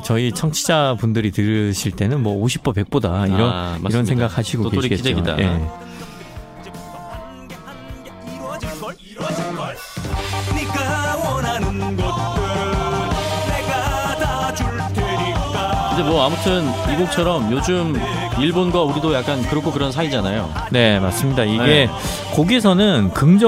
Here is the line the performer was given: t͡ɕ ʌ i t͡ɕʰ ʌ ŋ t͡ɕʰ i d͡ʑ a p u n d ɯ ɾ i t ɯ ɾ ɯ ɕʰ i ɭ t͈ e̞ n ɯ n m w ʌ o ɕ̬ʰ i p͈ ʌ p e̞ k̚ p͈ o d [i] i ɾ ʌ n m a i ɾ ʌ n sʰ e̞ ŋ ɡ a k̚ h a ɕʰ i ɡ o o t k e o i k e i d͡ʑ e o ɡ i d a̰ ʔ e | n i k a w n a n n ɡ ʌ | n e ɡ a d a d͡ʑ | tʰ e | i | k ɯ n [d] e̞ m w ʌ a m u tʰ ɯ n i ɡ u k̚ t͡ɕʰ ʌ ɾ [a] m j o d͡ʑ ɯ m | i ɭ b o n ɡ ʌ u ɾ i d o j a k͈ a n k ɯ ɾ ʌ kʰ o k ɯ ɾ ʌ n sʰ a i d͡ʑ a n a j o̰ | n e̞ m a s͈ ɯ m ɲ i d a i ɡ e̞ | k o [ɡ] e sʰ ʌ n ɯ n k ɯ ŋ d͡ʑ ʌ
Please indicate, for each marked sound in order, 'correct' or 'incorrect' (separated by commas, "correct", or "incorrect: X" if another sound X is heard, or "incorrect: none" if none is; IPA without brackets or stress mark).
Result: incorrect: a, incorrect: d͡ʑ, incorrect: ʌ, correct